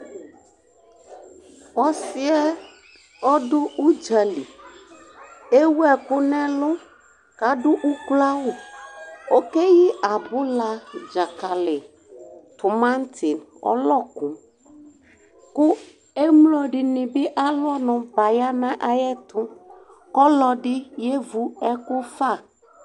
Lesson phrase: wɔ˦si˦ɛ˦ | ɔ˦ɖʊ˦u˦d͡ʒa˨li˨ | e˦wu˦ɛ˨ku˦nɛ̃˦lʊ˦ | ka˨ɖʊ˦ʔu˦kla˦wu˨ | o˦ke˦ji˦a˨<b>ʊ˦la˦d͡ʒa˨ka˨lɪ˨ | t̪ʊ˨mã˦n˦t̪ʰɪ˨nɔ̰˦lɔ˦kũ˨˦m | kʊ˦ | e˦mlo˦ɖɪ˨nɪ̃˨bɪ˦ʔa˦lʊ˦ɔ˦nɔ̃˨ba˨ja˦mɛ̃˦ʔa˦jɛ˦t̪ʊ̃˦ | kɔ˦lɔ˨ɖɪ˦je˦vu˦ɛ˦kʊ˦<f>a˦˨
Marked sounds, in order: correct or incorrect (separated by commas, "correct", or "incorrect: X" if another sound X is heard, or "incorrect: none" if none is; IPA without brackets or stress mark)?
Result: correct, correct